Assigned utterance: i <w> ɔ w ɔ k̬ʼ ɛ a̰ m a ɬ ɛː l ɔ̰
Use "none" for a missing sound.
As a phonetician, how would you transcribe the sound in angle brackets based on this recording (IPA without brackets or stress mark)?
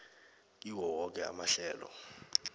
w